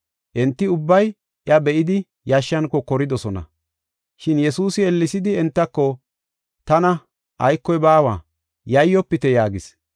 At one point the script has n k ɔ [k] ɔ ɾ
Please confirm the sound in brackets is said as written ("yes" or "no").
yes